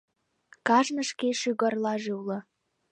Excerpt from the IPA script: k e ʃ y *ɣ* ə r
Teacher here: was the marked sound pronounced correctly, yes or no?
yes